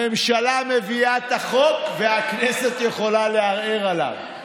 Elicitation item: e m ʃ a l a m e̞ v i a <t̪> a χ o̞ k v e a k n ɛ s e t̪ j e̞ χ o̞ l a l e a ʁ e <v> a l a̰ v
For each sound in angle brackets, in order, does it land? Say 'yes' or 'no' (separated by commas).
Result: yes, no